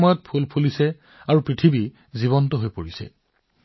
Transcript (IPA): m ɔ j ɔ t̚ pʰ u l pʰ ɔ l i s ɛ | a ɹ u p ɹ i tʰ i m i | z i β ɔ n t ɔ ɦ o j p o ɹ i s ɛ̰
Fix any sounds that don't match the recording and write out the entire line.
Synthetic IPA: m ɔ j ɔ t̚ pʰ u l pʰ u l i s ɛ | a ɹ u p ɹ i tʰ i b i | z i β ɔ n t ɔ ɦ o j p o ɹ i s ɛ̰